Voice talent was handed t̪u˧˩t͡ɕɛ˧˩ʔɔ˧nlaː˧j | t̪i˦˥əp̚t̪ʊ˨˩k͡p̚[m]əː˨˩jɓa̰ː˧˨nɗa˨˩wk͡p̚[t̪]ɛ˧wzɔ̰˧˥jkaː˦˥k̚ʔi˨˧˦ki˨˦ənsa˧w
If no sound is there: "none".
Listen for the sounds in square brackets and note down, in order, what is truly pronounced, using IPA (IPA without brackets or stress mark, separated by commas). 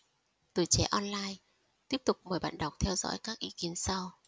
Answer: m, t̪ʰ